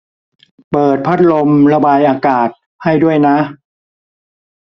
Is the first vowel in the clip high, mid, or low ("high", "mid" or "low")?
mid